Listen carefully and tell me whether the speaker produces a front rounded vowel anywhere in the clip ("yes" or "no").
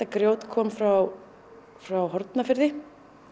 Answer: no